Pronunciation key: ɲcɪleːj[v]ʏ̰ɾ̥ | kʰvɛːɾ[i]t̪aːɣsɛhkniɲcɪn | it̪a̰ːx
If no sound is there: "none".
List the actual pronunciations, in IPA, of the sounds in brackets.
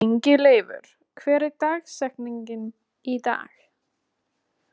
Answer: v, ɪ

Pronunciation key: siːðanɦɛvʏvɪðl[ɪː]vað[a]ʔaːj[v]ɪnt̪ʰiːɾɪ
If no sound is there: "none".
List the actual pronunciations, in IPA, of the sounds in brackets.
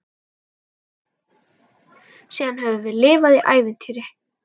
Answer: ɪː, i, v

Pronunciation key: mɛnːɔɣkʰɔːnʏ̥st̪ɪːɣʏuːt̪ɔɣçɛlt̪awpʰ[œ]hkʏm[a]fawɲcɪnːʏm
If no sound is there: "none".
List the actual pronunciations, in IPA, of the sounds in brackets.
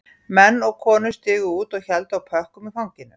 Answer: œ, i

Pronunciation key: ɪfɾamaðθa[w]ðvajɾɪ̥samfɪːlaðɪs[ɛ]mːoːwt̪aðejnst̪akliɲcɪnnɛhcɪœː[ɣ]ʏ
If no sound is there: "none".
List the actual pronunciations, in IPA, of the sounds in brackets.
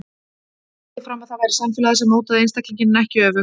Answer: none, ɛ, v

